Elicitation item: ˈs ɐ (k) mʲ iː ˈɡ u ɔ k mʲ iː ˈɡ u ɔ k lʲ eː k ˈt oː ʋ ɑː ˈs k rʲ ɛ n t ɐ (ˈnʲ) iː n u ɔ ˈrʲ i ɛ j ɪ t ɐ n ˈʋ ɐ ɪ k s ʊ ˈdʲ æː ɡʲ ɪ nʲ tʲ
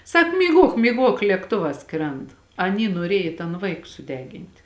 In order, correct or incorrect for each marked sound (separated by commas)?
correct, correct